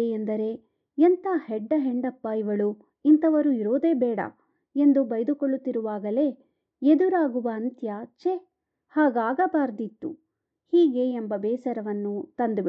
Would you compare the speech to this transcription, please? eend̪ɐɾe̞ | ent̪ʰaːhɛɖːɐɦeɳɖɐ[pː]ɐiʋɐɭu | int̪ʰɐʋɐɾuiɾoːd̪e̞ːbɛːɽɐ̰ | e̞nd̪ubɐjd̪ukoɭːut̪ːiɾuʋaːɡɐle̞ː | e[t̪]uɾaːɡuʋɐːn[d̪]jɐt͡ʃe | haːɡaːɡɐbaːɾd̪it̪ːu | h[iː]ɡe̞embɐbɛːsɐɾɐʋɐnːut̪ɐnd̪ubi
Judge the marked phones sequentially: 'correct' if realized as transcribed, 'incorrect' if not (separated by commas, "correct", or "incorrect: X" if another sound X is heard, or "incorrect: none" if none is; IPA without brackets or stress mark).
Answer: correct, incorrect: d̪, incorrect: t̪, correct